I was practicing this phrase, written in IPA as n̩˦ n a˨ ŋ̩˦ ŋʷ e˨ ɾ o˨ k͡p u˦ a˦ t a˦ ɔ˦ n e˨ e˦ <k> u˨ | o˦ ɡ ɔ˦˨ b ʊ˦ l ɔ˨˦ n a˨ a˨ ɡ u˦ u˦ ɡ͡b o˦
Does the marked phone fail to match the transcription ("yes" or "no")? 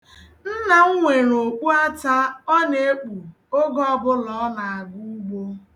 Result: yes